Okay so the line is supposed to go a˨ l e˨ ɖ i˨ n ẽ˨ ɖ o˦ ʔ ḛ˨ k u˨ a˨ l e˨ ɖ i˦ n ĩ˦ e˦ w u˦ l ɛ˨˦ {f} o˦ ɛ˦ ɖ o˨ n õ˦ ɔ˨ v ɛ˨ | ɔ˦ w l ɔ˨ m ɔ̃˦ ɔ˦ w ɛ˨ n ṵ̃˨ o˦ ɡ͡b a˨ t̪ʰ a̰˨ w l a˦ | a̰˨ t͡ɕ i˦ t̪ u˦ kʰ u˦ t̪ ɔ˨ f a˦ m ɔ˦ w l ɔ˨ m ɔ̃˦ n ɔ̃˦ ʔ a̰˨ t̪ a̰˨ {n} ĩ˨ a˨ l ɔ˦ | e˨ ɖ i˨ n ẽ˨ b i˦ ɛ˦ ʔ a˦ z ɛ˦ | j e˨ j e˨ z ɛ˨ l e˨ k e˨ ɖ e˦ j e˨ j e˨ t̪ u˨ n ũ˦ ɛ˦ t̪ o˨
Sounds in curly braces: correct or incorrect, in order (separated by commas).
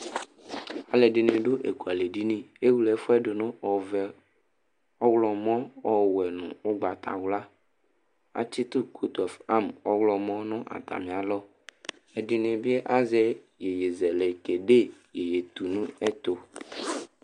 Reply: correct, incorrect